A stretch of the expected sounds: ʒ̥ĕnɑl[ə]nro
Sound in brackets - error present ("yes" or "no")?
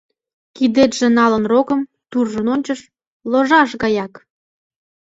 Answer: no